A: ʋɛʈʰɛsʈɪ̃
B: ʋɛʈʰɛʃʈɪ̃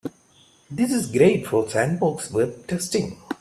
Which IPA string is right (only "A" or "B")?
A